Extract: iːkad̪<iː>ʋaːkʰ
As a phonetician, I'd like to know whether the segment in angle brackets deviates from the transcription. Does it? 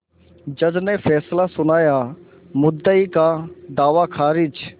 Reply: yes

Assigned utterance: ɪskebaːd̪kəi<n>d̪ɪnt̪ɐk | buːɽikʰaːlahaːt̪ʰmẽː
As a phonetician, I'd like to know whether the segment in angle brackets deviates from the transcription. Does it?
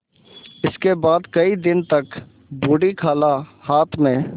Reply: yes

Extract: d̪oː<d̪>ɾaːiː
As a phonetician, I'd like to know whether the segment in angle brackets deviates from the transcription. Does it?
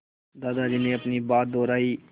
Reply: yes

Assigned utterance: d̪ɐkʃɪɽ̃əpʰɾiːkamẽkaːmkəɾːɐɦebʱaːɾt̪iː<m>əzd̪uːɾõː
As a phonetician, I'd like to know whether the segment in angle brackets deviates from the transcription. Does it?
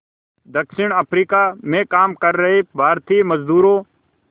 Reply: no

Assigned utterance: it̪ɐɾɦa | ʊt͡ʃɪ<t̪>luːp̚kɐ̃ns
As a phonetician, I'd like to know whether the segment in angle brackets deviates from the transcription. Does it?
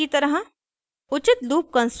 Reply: no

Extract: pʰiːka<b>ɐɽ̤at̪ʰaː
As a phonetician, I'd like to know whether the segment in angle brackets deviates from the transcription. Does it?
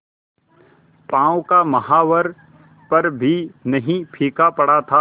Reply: yes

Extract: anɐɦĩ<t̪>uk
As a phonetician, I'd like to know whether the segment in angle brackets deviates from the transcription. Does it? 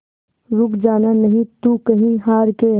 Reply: no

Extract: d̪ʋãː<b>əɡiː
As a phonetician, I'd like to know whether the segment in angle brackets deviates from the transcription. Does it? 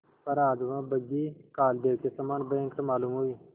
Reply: no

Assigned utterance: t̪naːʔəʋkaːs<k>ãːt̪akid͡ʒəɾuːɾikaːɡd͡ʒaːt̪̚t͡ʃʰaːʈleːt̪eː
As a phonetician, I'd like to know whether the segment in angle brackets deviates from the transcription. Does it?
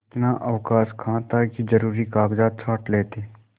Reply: yes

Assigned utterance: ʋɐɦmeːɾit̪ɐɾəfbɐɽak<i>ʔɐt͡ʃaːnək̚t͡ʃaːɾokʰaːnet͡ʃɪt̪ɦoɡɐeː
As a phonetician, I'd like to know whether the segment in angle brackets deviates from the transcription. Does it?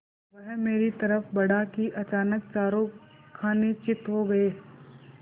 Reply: no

